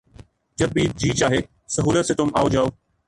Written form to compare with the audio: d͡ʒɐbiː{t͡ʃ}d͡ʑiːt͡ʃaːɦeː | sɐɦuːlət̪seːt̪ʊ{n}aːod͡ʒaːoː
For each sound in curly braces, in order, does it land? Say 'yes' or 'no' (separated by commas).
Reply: no, no